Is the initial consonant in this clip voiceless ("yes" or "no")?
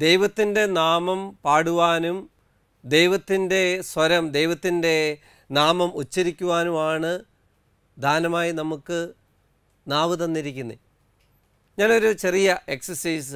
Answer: no